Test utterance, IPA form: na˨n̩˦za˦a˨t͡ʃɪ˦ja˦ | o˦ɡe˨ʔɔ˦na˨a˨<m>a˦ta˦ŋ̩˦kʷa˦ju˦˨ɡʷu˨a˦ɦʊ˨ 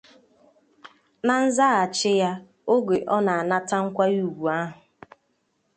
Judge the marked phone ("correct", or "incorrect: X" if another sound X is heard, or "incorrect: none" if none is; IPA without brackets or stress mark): incorrect: n